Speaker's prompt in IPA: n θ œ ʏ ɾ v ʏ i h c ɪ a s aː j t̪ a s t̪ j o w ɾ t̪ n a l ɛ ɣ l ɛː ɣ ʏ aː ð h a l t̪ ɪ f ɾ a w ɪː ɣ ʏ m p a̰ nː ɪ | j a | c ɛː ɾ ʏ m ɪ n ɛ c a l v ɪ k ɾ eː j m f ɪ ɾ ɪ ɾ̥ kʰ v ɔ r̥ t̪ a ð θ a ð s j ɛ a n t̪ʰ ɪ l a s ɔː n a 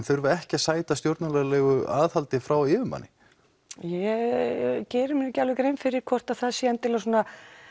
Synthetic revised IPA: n θ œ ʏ ɾ v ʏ ɛ h c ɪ a s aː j t̪ a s t̪ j o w ɾ t̪ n a l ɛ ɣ l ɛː ɣ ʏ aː ð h a l t̪ ɪ f ɾ a w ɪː v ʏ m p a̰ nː ɪ | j ɛ | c ɛː ɾ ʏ m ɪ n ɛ c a l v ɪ k ɾ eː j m f ɪ ɾ ɪ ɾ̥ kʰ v ɔ r̥ t̪ a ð θ a ð s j ɛ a n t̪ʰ ɪ l a s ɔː n a